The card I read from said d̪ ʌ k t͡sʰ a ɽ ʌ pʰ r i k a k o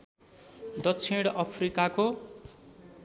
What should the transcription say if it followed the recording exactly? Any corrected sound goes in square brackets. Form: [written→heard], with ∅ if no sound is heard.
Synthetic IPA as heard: d̪ ʌ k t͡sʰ [a→i] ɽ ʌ pʰ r i k a k o